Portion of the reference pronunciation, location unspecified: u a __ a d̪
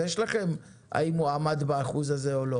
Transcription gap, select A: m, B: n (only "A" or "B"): A